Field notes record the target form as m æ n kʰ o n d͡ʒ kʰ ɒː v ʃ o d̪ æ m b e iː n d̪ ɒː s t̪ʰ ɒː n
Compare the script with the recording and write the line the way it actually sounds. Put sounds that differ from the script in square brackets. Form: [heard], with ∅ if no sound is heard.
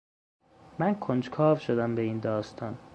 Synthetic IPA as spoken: m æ n kʰ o n d͡ʒ kʰ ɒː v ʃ o d̪ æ m b e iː n d̪ ɒː s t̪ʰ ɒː n